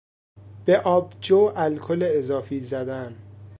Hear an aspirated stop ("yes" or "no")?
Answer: yes